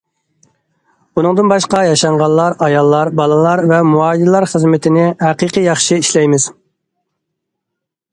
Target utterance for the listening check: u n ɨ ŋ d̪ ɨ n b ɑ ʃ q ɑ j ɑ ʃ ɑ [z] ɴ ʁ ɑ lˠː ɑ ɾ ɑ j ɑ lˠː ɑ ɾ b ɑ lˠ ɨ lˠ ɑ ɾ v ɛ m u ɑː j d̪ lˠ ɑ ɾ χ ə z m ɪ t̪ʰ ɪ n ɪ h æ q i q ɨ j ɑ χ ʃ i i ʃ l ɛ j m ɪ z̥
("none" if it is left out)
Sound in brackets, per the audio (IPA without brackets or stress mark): none